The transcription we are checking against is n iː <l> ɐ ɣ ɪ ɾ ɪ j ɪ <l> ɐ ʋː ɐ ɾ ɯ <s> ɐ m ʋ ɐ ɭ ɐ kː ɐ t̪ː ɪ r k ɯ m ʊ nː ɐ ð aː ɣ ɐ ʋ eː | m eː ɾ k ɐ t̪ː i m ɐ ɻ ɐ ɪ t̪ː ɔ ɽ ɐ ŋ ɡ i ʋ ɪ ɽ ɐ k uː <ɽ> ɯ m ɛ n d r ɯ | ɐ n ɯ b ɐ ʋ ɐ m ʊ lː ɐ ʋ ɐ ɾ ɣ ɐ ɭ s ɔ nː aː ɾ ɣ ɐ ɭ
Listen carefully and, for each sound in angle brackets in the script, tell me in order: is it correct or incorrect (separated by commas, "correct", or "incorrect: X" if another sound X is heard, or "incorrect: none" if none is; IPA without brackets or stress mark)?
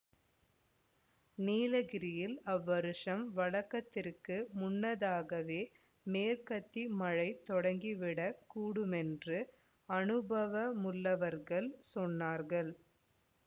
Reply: correct, correct, incorrect: ʂ, correct